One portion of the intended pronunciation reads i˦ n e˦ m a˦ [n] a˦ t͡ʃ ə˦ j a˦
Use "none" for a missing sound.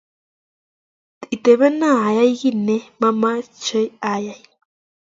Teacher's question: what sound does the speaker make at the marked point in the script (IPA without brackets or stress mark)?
m